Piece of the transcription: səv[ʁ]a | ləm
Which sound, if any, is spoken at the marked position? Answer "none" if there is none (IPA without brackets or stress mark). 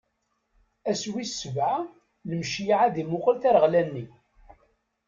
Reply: ʕ